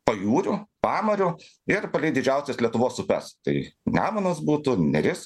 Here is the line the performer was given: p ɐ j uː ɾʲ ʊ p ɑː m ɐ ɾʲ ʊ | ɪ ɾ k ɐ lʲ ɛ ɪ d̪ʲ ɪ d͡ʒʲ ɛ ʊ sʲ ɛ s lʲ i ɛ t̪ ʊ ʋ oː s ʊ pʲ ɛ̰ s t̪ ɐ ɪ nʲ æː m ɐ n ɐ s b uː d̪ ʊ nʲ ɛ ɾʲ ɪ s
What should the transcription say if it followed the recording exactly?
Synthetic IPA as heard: p ɐ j uː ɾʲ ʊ p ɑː m ɐ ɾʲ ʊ | ɪ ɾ p ɐ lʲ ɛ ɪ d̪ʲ ɪ d͡ʒʲ ɛ ʊ sʲ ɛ s lʲ i ɛ t̪ ʊ ʋ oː s ʊ pʲ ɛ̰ s t̪ ɐ ɪ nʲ æː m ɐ n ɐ s b uː t̪ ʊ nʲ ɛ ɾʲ ɪ s